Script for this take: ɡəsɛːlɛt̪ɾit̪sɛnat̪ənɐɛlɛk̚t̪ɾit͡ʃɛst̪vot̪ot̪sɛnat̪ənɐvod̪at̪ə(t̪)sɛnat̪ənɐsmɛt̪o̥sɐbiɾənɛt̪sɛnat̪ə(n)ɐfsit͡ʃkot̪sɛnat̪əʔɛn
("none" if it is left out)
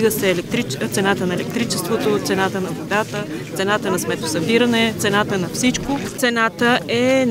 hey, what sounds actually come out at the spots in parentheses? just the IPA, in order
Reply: t̪, n

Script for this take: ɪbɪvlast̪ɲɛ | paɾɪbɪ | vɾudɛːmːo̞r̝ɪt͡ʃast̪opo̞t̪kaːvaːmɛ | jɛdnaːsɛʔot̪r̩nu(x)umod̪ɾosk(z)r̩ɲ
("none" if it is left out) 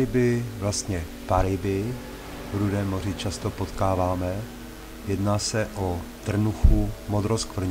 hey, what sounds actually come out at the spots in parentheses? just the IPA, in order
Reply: x, v

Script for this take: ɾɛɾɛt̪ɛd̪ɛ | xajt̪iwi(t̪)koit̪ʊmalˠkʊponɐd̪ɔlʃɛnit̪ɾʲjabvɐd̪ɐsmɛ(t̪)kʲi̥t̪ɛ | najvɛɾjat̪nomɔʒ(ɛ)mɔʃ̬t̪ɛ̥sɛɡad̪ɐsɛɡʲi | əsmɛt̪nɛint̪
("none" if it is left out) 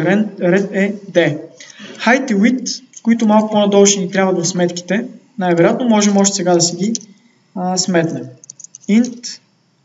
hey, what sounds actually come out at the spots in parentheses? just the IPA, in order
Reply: t̪, t̪, ɛ

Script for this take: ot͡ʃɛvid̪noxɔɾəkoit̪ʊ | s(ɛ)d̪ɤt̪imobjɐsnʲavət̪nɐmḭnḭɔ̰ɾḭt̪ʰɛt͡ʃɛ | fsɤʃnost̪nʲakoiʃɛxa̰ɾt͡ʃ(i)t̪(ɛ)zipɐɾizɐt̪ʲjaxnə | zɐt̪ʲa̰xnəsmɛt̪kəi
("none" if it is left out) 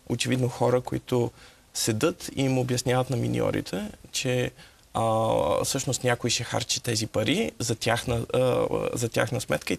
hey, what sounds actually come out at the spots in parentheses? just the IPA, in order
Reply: ɛ, i, ɛ

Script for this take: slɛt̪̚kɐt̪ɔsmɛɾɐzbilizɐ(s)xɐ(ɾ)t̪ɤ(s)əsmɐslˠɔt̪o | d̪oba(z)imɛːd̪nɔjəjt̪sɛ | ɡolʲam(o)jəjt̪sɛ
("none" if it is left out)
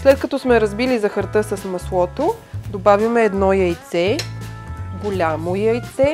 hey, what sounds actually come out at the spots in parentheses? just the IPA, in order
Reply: none, ɾ, s, v, o

